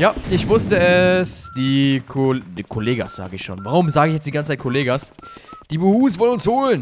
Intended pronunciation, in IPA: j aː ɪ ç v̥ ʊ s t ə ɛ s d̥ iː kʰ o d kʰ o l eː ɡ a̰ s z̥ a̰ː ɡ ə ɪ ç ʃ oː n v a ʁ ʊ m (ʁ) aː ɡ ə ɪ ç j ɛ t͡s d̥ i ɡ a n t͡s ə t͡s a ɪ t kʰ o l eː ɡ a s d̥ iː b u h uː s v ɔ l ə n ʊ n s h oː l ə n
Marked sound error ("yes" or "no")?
yes